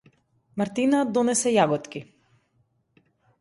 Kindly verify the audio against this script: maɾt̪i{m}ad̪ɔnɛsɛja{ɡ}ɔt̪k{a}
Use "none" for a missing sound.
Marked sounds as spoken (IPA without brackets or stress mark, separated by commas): n, ɡ, i